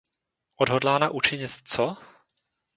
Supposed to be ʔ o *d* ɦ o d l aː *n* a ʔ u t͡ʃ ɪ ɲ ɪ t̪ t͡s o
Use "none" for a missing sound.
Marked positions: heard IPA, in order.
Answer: d, n

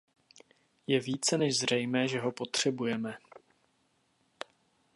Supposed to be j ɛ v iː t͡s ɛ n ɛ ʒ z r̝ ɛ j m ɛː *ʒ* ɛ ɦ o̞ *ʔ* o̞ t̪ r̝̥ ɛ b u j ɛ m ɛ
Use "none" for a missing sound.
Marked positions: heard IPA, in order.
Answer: ʒ, p

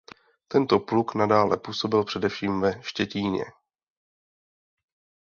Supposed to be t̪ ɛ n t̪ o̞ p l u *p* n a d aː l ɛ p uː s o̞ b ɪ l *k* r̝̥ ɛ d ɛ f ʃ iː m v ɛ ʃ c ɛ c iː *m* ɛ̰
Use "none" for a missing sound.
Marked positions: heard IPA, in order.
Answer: k, p, ɲ

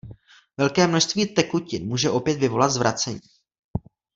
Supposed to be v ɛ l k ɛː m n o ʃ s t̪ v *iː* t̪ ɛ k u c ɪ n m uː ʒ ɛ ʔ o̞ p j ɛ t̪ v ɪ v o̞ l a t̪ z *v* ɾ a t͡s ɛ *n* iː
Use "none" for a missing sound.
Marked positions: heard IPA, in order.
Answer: iː, v, ɲ

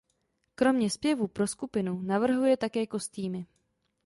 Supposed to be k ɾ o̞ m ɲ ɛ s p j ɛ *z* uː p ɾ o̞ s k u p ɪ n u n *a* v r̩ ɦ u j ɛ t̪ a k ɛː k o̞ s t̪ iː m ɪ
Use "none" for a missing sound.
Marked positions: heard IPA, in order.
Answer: v, a

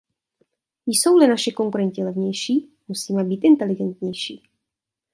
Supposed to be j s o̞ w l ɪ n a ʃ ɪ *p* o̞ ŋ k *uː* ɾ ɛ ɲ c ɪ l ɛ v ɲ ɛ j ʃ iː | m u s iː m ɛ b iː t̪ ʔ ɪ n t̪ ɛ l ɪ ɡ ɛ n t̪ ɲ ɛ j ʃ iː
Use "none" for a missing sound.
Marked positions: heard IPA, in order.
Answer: k, u

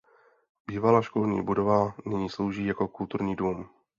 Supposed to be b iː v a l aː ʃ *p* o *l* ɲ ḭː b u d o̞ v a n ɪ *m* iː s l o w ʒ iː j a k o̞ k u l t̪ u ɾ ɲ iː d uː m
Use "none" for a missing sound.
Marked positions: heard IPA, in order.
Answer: k, l, ɲ

